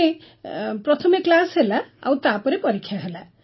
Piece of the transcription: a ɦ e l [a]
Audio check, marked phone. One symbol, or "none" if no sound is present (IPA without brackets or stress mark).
a